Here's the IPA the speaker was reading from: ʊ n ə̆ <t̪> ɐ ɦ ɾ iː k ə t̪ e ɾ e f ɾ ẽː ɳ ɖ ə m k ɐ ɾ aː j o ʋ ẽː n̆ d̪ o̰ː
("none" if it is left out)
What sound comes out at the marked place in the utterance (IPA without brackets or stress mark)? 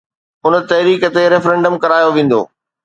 t̪